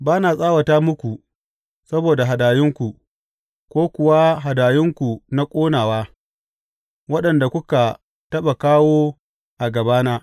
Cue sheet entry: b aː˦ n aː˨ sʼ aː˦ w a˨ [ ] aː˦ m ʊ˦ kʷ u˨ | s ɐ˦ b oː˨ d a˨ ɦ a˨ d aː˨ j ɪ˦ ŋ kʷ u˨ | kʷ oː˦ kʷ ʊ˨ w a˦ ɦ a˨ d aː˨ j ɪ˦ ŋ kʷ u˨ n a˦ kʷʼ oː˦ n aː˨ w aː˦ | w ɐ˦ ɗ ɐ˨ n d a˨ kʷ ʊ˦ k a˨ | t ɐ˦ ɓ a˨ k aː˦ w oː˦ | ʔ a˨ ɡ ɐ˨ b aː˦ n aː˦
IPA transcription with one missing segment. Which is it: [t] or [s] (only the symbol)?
t